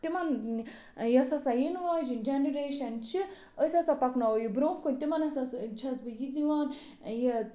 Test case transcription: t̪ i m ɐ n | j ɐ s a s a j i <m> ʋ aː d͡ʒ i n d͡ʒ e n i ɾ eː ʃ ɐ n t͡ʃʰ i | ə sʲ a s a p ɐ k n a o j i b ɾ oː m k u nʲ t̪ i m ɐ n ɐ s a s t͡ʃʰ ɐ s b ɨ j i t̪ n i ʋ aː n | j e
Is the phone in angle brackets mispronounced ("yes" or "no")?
yes